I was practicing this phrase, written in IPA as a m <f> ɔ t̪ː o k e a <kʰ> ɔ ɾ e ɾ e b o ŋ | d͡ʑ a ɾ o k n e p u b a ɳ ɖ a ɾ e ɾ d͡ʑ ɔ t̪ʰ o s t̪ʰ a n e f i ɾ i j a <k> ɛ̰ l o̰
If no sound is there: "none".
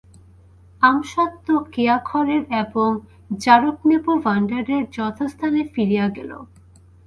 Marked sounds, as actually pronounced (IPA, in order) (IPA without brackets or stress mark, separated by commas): ʃ, kʰ, ɡ